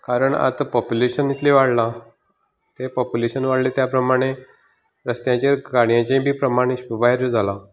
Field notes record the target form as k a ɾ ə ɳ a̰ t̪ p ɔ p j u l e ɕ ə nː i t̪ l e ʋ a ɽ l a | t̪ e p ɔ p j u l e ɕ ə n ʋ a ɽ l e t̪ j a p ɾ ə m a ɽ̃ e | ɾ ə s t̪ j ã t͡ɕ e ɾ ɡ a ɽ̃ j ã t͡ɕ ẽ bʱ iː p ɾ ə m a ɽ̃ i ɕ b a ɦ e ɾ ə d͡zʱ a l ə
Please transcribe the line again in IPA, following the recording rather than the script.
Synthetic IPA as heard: k a ɾ ə ɳ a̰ t̪ p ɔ p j u l e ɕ ə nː i t̪ l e ʋ a ɽ l a | t̪ e p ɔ p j u l e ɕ ə n ʋ a ɽ l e t̪ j a p ɾ ə m a ɽ̃ e | ɾ ə s t̪ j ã t͡ɕ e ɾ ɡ a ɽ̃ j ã t͡ɕ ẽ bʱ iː p ɾ ə m a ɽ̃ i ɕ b a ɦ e ɾ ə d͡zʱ a l a